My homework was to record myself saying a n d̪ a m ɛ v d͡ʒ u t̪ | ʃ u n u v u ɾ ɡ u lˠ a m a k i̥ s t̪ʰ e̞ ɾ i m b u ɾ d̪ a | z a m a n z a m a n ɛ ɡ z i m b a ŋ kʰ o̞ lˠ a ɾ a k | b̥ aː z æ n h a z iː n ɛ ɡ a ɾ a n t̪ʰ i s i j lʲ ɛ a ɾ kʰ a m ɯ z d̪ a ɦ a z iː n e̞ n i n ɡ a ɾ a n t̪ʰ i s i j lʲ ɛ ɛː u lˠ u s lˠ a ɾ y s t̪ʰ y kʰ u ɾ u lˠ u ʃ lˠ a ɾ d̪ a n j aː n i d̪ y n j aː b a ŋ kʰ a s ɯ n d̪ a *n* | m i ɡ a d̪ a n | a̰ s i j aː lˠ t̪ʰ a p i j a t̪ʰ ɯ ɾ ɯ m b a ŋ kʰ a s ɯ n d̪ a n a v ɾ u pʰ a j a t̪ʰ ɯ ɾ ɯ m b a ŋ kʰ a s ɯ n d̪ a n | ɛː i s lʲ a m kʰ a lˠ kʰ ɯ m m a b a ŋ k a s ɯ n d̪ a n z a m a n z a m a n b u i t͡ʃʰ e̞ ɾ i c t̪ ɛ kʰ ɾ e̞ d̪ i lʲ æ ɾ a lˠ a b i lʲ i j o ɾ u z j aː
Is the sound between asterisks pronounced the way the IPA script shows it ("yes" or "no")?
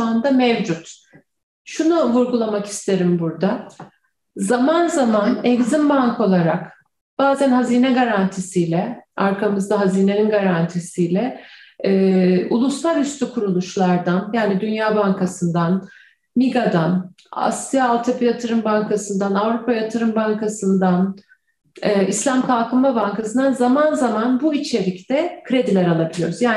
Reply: yes